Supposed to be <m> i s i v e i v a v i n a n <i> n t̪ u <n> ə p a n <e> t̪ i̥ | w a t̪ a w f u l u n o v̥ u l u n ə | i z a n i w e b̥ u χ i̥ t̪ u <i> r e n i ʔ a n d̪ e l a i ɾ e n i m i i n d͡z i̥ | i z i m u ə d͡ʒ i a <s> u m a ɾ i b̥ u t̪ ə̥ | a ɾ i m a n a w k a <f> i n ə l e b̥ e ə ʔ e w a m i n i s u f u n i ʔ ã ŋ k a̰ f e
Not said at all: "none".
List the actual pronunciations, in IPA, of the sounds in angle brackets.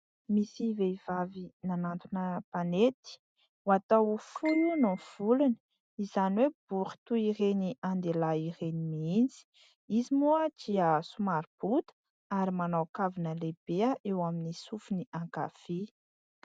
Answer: m, a, n, e, i, s, v

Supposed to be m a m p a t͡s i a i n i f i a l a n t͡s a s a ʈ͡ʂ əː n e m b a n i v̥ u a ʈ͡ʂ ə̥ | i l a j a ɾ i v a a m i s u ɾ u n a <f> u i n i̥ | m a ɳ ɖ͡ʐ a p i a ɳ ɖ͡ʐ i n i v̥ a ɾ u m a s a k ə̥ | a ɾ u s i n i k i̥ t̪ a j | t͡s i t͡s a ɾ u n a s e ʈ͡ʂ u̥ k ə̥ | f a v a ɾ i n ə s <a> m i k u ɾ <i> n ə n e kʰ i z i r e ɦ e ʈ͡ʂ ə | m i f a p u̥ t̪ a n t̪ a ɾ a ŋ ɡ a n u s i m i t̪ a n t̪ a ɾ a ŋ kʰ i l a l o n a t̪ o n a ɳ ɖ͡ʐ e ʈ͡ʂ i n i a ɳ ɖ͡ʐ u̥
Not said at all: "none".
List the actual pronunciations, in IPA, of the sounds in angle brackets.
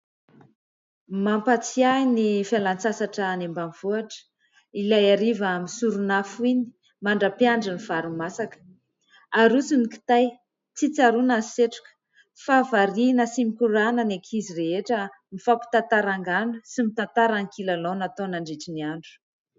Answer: f, i, a

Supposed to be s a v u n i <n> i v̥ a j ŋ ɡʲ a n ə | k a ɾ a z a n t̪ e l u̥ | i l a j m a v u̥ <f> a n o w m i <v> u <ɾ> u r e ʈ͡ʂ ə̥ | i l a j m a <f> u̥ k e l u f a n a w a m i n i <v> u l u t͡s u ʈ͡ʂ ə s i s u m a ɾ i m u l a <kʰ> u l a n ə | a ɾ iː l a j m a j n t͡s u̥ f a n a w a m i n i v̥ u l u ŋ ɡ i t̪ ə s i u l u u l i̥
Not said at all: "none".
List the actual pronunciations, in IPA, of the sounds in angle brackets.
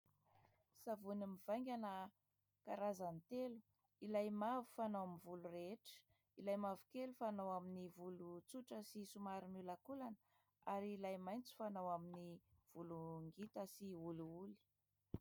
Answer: m, f, v, l, v, v, k

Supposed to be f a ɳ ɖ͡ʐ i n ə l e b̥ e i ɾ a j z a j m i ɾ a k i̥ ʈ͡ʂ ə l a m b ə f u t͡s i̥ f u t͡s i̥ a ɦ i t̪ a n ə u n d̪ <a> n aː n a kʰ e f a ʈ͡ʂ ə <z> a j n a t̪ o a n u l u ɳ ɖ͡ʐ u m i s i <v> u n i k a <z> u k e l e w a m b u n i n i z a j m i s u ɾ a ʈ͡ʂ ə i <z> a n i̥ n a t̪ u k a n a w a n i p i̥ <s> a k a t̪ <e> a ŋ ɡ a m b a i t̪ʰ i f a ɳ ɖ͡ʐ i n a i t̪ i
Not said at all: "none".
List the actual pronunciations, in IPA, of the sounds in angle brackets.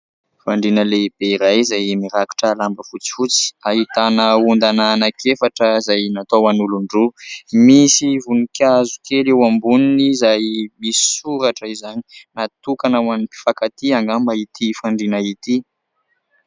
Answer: a, z, v, z, z, f, i

